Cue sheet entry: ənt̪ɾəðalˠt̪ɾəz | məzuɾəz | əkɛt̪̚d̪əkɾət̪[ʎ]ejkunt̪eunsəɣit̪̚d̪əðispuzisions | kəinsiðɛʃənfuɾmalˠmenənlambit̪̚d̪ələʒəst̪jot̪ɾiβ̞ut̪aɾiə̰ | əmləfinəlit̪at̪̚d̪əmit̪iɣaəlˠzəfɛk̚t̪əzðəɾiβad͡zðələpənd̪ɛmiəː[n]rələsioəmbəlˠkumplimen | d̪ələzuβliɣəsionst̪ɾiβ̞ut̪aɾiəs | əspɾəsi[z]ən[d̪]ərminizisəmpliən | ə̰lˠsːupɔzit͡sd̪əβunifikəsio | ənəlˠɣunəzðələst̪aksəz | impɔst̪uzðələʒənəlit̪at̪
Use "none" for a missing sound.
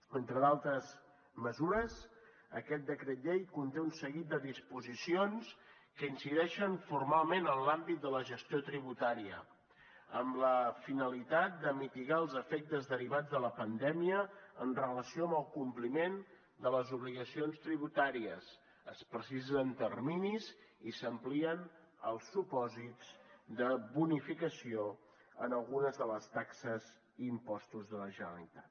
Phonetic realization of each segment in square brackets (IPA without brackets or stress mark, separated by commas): ʎ, n, z, t̪